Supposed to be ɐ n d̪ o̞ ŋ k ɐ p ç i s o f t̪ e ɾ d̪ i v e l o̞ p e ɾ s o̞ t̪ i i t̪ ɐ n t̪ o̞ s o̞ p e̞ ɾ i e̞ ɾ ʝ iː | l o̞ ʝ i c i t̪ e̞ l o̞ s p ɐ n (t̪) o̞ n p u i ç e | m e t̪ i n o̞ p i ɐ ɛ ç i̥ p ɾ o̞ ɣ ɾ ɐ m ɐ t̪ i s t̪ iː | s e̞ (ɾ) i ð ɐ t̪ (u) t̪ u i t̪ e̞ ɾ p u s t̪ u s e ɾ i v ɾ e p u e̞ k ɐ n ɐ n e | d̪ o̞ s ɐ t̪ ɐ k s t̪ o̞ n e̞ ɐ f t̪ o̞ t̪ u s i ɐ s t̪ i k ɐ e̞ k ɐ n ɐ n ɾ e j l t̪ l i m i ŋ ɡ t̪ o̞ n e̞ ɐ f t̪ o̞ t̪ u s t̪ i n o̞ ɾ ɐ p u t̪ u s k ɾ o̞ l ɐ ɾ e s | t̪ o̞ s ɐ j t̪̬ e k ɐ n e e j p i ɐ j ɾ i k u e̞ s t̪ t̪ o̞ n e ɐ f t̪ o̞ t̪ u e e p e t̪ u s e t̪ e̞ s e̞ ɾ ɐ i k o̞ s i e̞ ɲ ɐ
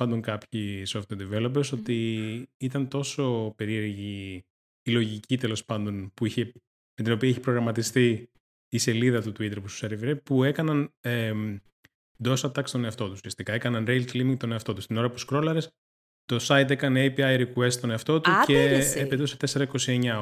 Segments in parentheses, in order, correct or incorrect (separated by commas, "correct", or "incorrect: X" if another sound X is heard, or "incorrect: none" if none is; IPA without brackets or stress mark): incorrect: d̪, incorrect: l, correct